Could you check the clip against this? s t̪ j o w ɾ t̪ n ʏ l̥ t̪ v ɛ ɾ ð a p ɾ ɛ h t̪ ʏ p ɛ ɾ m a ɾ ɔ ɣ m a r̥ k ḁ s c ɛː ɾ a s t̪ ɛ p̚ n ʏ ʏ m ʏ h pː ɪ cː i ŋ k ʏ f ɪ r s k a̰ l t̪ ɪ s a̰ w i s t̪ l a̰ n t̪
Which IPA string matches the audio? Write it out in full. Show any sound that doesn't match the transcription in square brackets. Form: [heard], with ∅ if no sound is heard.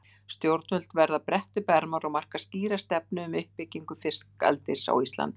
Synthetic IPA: s t̪ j o w ɾ t̪ n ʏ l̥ t̪ v ɛ ɾ ð a p ɾ ɛ h t̪ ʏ p ɛ ɾ m a ɾ ɔ ɣ m a r̥ k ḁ s c [iː] ɾ a s t̪ ɛ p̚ n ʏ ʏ m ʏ h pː ɪ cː i ŋ k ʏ f ɪ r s k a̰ l t̪ ɪ s a̰ w i s t̪ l a̰ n t̪

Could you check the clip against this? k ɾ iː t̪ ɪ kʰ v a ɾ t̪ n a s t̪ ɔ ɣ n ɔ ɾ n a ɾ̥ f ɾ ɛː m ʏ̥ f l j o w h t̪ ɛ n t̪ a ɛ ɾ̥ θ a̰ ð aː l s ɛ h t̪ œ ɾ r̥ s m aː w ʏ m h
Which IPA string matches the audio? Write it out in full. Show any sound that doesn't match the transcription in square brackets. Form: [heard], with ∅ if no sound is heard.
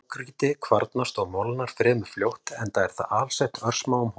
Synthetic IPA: k ɾ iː t̪ ɪ kʰ v a ɾ t̪ n a s t̪ ɔ ɣ [m] ɔ [l] n a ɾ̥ f ɾ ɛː m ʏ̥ f l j o w h t̪ ɛ n t̪ a ɛ ɾ̥ θ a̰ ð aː l s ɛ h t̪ œ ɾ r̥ s m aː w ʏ m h

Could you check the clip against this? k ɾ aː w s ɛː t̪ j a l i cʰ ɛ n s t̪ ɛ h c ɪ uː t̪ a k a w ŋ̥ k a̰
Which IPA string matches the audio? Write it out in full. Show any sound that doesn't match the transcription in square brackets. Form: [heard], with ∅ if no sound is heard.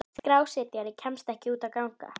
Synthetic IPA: k ɾ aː w s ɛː t̪ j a [ɾ] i cʰ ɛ [m] s t̪ ɛ h c ɪ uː t̪ a k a w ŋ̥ k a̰

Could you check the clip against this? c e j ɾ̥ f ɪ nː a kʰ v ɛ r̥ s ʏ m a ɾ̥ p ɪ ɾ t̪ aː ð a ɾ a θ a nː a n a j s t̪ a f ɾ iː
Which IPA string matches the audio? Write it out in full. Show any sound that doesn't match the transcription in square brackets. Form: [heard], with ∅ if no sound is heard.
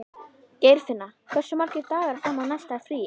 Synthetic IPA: c e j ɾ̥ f ɪ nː a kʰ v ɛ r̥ s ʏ m a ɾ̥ [c] ɪ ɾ t̪ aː [ɣ] a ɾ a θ a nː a n a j s t̪ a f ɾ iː

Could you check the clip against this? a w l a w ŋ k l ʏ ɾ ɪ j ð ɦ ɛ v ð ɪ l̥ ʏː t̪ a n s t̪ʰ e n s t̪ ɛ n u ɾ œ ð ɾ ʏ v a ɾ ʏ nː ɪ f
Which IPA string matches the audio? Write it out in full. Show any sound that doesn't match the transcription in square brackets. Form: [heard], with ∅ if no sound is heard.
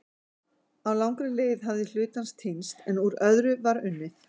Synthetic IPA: a w l a w ŋ k [ɾ] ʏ [l] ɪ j ð ɦ [a] v ð ɪ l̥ ʏː t̪ a n s t̪ʰ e n s t̪ ɛ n u ɾ œ ð ɾ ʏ v a ɾ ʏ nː ɪ [θ]

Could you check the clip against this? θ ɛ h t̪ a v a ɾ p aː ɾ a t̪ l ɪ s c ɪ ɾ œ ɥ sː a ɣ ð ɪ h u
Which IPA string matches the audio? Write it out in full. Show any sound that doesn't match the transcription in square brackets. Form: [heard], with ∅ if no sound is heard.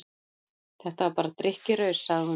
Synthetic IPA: θ ɛ h t̪ a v a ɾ p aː ɾ a t̪ [ɾ] ɪ [h] c ɪ ɾ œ ɥ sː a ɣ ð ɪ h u

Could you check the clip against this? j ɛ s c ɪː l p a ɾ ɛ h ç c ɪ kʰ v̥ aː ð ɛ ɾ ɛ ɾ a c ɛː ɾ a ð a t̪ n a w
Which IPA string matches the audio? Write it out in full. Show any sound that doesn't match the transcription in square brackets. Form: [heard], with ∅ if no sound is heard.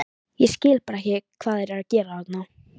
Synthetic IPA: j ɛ s c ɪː l p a ɾ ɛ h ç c ɪ kʰ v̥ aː ð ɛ ɾ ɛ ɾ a c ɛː ɾ a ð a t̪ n a w

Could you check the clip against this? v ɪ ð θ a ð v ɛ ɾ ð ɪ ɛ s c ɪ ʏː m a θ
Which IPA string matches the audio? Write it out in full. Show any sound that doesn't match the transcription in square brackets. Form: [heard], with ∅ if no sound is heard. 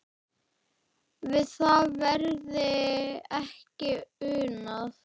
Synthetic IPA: v ɪ ð θ a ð v ɛ ɾ ð ɪ ɛ [h] c ɪ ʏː [n] a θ

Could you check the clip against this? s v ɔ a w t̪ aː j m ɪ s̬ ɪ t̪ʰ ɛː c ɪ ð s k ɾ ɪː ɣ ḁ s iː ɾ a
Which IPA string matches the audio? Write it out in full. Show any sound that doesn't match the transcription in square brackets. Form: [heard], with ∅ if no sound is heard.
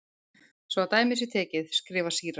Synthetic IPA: s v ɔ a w t̪ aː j m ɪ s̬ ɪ t̪ʰ ɛː c ɪ ð s k ɾ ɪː [v] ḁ s iː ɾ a

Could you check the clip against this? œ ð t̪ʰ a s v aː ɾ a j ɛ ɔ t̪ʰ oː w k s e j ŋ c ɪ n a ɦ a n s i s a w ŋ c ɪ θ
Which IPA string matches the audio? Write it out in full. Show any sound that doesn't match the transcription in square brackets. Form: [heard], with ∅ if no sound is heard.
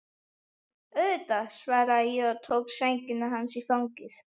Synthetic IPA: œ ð [t̪] a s v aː ɾ a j ɛ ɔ t̪ʰ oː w k s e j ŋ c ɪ n a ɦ a n s i [f] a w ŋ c ɪ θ

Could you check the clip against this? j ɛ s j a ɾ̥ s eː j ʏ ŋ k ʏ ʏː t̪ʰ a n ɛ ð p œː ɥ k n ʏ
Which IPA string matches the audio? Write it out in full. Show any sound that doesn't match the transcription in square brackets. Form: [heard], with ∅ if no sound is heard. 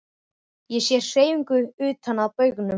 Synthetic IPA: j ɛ s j [ɛ] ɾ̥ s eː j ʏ ŋ k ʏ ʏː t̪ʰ a n [a] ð p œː ɥ k n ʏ

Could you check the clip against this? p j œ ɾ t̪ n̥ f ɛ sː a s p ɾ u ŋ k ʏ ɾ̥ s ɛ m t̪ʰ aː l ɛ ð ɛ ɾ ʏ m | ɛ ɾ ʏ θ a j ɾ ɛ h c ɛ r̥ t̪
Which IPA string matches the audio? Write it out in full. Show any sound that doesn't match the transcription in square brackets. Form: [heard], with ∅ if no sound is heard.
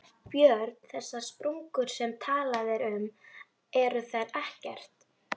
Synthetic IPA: p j œ ɾ t̪ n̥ [θ] ɛ sː a s p ɾ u ŋ k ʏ ɾ̥ s ɛ m t̪ʰ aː l [a] ð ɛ ɾ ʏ m | ɛ ɾ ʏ θ a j ɾ ɛ h c ɛ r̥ t̪

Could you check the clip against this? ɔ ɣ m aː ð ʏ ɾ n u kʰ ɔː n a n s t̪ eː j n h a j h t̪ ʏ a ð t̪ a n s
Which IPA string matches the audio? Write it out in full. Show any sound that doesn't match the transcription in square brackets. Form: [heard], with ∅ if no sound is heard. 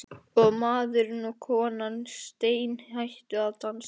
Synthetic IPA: ɔ ɣ m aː ð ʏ ɾ n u kʰ ɔː n a n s t̪ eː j n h a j h t̪ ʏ a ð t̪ a n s

